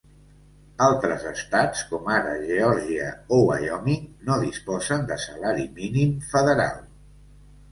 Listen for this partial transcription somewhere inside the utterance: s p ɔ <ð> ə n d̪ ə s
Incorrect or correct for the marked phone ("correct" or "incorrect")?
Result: incorrect